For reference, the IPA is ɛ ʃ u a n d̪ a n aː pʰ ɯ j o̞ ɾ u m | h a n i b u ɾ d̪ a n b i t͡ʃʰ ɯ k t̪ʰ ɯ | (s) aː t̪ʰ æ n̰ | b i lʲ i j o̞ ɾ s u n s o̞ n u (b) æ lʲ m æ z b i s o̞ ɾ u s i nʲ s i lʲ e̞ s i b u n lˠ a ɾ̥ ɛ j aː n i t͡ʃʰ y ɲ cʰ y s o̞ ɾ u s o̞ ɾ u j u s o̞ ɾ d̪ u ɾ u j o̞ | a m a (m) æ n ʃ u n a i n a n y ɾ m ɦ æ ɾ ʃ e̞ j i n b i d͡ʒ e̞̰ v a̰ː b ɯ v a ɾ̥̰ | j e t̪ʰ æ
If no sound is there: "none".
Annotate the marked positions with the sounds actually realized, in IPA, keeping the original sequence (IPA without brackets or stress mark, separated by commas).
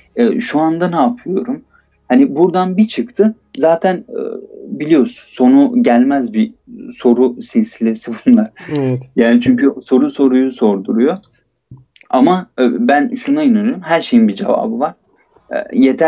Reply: z, ɟ, b